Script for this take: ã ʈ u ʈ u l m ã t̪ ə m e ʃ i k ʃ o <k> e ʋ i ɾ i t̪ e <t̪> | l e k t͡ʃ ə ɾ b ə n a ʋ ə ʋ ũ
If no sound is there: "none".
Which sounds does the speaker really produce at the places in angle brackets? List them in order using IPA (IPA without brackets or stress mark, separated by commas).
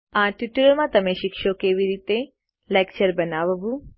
k, none